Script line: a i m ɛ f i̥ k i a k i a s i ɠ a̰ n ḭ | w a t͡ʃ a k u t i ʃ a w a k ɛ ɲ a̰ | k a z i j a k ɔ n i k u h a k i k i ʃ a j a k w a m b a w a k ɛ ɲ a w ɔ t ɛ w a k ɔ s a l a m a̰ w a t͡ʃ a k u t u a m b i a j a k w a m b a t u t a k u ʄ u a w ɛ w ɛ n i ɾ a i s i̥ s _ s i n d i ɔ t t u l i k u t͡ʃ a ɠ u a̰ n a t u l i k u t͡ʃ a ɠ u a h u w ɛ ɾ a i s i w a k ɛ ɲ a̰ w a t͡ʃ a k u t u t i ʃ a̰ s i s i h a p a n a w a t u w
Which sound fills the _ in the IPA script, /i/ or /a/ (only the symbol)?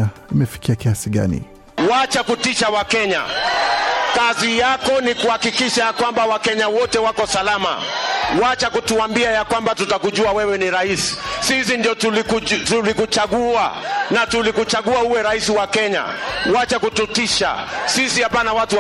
i